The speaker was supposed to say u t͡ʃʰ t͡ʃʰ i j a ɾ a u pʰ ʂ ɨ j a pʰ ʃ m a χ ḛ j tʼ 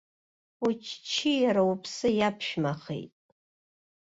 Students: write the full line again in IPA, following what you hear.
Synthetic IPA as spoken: u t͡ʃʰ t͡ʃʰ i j a ɾ a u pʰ s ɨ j a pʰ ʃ m a χ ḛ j tʼ